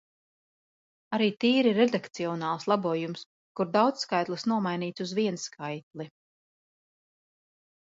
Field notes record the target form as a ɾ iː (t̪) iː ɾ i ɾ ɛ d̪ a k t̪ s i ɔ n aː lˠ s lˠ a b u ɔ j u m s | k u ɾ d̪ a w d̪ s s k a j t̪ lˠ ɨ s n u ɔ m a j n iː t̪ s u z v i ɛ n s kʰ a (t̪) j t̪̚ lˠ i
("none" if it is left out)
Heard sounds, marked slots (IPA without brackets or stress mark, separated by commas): t̪, none